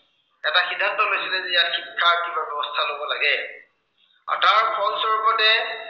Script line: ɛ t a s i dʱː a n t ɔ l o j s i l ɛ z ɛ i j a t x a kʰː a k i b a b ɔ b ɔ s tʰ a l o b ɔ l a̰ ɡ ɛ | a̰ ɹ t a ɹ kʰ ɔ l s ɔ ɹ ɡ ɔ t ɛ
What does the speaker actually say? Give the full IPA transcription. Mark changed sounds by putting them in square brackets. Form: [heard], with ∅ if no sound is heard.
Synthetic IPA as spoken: ɛ t a [x] i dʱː a n t ɔ l o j s i l ɛ z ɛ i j a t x [i] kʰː a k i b a b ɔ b ɔ s tʰ a l o b ɔ l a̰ ɡ ɛ | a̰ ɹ t a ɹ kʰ ɔ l s ɔ ɹ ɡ ɔ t ɛ